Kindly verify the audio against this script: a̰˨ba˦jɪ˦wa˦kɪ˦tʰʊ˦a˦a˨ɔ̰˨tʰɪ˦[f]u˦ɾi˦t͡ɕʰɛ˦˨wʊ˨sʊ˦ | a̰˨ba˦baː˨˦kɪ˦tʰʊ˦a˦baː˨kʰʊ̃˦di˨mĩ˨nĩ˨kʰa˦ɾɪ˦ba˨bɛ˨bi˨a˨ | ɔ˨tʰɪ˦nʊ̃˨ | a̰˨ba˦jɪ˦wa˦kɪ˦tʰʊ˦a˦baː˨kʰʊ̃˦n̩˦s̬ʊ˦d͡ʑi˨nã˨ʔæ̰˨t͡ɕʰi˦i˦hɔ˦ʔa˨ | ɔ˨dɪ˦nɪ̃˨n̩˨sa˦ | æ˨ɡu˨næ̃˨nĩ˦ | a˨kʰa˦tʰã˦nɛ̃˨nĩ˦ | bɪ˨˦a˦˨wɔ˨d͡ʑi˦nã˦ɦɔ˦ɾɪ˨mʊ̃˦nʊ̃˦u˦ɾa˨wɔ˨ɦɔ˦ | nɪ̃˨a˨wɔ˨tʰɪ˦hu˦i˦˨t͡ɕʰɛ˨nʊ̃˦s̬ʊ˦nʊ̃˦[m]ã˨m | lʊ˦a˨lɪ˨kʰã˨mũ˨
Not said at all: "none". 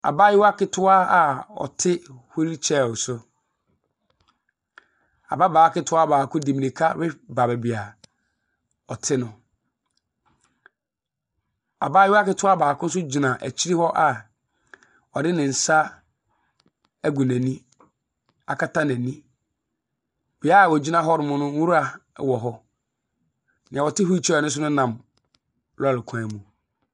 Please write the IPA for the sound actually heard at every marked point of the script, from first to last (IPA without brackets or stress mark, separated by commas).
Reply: h, n